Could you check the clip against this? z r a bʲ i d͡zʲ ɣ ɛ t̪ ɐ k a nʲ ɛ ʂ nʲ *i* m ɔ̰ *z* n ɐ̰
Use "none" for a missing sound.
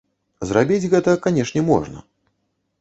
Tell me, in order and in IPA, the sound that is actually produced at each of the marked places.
ɛ, ʐ

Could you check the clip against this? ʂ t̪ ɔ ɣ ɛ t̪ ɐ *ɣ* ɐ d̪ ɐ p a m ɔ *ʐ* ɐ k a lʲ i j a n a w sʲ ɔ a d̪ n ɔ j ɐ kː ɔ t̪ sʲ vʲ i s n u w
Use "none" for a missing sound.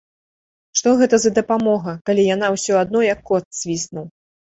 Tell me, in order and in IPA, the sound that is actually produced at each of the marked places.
z, ɣ

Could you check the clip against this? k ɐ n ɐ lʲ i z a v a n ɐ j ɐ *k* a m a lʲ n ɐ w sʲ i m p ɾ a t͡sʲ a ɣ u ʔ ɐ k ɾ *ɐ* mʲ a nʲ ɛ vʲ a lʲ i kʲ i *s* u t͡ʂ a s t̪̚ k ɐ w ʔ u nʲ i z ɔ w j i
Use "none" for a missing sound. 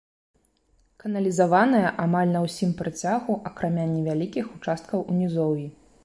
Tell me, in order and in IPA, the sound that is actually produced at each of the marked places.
ʔ, a, x

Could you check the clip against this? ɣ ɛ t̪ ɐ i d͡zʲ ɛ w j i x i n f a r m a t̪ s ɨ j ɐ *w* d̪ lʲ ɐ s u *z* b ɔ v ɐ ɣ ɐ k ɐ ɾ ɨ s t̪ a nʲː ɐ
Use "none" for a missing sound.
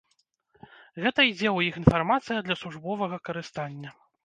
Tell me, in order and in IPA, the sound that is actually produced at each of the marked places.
none, ʐ

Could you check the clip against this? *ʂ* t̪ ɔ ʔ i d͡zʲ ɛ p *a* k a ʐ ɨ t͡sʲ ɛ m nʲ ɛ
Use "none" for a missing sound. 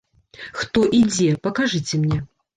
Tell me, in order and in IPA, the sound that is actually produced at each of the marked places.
x, ɐ

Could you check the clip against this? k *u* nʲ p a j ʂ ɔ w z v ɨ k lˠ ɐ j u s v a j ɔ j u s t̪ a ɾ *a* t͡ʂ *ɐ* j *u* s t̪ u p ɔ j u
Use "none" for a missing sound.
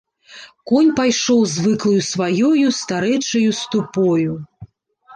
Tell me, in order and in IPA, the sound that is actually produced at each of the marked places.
ɔ, ɛ, ɐ, u

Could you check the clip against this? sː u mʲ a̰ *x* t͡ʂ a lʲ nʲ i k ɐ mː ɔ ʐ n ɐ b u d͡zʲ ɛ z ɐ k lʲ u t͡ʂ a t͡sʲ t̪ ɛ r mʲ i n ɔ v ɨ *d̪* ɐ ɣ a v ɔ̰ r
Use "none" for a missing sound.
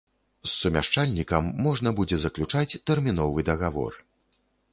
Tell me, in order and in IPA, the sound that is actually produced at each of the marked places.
ʂ, d̪

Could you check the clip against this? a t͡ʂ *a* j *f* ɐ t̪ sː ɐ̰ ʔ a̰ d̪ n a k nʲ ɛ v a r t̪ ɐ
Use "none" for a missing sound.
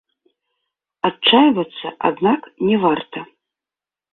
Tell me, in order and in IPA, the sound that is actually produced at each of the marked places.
a, v

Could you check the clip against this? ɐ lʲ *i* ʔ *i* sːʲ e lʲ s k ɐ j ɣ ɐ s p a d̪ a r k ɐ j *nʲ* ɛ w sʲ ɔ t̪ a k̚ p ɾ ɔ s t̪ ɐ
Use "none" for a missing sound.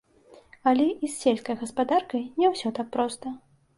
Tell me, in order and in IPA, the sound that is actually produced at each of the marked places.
ɛ, i, nʲ

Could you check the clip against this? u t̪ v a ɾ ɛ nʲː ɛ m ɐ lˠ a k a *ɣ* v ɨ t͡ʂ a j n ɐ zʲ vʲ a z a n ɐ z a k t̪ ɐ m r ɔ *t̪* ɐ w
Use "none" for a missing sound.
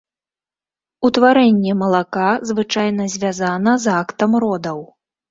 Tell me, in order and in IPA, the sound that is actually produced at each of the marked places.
z, d̪

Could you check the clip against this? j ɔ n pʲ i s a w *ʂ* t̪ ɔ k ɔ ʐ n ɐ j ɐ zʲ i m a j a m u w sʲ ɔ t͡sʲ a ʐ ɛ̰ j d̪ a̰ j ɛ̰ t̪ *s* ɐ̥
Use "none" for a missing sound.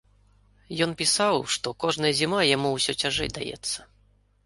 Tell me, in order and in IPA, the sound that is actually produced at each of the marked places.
ʂ, sː

